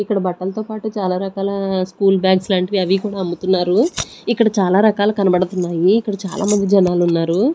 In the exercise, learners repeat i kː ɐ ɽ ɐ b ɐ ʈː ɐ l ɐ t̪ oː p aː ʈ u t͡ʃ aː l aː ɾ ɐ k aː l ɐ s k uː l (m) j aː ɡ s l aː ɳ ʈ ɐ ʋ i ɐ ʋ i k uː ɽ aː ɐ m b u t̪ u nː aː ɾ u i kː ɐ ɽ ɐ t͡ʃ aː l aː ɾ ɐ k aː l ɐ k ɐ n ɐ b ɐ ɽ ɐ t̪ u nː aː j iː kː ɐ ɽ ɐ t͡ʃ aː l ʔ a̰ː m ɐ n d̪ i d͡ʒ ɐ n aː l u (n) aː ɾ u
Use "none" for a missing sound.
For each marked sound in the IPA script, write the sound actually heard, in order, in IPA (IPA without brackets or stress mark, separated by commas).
b, nː